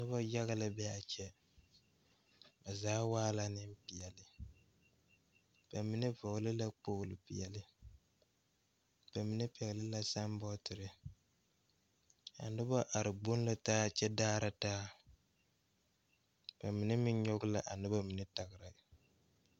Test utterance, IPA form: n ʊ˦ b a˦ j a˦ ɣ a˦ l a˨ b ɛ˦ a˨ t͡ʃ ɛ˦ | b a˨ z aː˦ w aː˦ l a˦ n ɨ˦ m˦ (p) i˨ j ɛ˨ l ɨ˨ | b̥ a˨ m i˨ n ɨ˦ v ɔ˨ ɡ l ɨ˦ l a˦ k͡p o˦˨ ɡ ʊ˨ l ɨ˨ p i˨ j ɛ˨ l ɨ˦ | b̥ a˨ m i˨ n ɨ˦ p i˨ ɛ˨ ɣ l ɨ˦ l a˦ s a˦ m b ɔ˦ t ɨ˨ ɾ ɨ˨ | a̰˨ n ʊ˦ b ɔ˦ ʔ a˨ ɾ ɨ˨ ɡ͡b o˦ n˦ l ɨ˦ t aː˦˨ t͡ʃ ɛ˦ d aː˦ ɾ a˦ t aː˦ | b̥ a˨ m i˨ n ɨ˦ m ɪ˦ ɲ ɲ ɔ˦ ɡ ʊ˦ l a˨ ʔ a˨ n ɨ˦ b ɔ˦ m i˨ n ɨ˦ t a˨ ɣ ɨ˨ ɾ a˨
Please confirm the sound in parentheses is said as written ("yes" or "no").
yes